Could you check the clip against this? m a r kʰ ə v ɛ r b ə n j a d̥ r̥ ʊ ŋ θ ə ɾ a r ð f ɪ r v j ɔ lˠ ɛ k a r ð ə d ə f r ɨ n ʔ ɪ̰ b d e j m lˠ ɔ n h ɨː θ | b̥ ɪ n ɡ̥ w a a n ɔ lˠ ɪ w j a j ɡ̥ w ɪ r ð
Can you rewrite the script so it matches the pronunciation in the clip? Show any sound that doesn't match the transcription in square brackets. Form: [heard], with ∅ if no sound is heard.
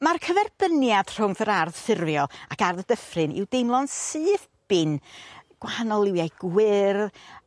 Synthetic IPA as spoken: m a r kʰ ə v ɛ r b ə n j a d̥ r̥ ʊ ŋ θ ə ɾ a r ð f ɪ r v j ɔ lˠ [a] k a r ð ə d ə f r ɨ n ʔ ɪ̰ [w] d e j m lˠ ɔ n [s] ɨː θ | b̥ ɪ n ɡ̥ w a a n ɔ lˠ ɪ w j a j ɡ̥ w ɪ r ð